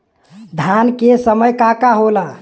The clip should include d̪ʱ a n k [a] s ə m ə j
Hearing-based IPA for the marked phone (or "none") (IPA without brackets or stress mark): e